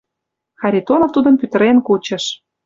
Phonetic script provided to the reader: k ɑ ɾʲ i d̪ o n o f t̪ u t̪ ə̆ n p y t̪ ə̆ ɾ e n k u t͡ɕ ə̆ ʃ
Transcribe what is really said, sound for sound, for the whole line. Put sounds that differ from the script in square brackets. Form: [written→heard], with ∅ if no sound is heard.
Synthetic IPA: [k→x] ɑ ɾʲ i [d̪→t̪] o n o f t̪ u [t̪→d̪] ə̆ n p y t̪ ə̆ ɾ e n k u t͡ɕ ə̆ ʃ